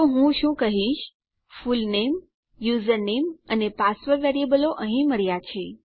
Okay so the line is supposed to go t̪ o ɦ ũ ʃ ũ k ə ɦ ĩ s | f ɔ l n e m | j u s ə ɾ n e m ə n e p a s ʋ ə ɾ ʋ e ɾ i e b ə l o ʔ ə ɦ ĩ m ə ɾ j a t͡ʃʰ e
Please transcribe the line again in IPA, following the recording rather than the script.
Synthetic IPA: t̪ o ɦ ũ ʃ ũ k ə ɦ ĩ ʃ | f u l n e m | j u z ə ɾ n e m ə n e p a s ʋ ə ɾ ʋ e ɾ i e b ə l o ʔ ə ɦ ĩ m ə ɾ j a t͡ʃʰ e